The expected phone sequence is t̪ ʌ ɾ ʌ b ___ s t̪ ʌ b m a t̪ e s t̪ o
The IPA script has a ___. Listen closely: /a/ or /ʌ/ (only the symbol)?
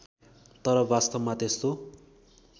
a